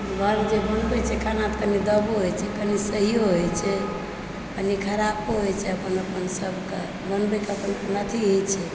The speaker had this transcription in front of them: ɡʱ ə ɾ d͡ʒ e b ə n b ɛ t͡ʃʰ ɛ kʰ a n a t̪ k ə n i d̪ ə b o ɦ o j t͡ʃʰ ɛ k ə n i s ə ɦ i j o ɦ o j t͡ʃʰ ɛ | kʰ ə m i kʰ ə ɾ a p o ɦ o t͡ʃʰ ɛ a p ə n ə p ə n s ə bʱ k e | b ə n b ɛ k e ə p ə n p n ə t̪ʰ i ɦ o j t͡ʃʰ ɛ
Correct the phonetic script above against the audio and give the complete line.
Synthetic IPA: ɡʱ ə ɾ d͡ʒ e b ə n b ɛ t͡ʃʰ ɛ kʰ a n a t̪ k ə n i d̪ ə b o ɦ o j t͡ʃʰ ɛ k ə n i s ə ɦ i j o ɦ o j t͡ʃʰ ɛ | k ə n i kʰ ə ɾ a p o ɦ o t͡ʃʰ ɛ ə p ə n ə p ə n s ə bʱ k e | b ə n b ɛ k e ə p ə n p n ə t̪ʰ i ɦ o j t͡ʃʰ ɛ